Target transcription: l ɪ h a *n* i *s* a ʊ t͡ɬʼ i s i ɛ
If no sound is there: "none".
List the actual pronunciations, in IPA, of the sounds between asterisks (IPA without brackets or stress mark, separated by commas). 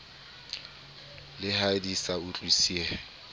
d, s